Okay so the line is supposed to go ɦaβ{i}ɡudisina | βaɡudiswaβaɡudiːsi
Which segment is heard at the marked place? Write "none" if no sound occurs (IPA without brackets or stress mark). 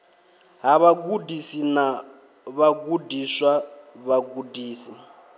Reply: a